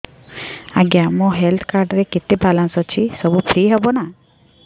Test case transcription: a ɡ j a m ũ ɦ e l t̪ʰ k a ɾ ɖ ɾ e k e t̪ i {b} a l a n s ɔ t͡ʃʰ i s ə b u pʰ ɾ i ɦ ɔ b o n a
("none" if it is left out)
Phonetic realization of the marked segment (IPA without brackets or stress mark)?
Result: b